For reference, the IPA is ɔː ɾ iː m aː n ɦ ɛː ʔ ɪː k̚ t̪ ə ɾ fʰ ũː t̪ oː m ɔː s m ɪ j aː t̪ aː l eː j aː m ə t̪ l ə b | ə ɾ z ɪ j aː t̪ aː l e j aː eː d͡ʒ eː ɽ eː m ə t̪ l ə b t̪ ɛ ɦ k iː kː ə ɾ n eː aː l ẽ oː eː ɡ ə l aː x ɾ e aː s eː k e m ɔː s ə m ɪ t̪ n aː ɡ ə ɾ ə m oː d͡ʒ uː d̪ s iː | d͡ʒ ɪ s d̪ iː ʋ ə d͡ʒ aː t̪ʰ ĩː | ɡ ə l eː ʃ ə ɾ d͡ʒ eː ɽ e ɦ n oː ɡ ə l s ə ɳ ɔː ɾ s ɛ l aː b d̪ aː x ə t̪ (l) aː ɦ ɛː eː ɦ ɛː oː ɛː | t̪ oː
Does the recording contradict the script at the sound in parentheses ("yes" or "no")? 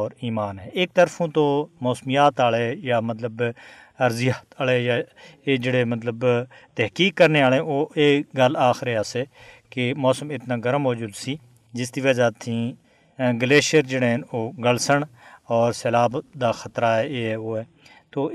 yes